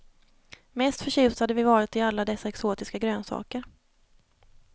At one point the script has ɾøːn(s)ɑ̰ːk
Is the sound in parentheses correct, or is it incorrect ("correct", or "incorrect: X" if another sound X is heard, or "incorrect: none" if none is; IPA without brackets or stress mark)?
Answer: correct